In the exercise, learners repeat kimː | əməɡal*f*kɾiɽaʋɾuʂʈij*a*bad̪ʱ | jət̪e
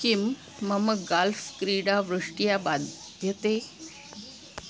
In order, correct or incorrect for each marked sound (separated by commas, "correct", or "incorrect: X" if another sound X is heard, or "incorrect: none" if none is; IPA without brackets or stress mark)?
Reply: correct, correct